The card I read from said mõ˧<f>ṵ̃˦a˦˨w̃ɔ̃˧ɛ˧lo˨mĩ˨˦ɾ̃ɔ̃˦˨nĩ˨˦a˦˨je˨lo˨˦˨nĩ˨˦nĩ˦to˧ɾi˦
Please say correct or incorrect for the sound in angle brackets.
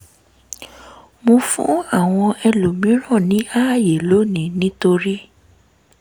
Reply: correct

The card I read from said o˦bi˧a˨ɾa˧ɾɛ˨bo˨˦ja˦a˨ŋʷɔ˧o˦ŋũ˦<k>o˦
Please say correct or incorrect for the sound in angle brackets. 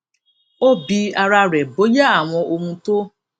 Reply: incorrect: t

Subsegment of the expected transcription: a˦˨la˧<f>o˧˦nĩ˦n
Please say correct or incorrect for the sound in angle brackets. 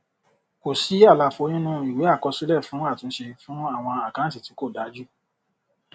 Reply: correct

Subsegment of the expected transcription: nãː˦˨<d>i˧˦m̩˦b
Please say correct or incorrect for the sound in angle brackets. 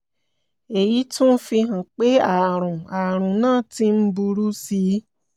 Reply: incorrect: t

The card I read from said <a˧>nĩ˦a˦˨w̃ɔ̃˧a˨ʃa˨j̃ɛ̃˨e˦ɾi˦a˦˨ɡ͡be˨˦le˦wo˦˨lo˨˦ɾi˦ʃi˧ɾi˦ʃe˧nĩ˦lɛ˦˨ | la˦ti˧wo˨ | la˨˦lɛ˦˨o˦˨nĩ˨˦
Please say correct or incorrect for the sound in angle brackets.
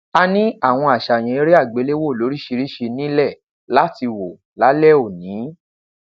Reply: correct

